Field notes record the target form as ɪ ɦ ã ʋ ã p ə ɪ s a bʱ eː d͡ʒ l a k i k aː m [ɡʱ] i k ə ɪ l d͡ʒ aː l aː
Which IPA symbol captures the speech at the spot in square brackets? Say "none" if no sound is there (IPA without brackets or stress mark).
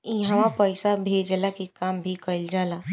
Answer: bʱ